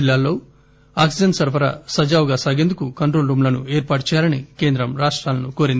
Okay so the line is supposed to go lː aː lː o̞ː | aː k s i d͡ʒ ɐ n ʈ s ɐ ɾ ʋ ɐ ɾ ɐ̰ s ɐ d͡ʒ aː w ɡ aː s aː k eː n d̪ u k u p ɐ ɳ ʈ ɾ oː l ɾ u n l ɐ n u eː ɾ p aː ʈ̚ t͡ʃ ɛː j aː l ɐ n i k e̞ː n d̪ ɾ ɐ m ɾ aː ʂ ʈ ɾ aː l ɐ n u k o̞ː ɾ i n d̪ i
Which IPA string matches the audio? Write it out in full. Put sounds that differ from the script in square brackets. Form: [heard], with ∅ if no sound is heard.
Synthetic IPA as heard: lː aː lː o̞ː | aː k s i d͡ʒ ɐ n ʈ s ɐ ɾ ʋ ɐ ɾ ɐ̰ s ɐ d͡ʒ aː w ɡ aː s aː [ɡ] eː n d̪ u k u [k] ɐ ɳ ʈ ɾ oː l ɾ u [m] l ɐ n u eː ɾ p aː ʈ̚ t͡ʃ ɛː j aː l ɐ n i k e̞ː n d̪ ɾ ɐ m ɾ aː ʂ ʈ ɾ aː l ɐ n u k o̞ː ɾ i n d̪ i